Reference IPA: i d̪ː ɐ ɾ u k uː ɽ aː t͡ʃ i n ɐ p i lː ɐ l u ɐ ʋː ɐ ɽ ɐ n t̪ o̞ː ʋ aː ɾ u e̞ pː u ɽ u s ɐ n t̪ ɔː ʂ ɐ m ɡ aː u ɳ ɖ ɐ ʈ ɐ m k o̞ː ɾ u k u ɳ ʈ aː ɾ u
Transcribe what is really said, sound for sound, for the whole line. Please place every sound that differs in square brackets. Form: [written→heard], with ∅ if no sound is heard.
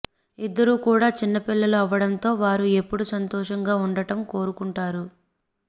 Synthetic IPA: i d̪ː ɐ ɾ u k uː ɽ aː t͡ʃ i [n→nː] ɐ p i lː ɐ l u ɐ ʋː ɐ ɽ ɐ n t̪ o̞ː ʋ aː ɾ u e̞ pː u ɽ u s ɐ n t̪ ɔː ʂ ɐ [m→ŋ] ɡ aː u ɳ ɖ ɐ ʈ ɐ m k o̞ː ɾ u k u ɳ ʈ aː ɾ u